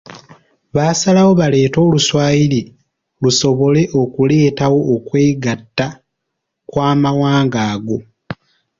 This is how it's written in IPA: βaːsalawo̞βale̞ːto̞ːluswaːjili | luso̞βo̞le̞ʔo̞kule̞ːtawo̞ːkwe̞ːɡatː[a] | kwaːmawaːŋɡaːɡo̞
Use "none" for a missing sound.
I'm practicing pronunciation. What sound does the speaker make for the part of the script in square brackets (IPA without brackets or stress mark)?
a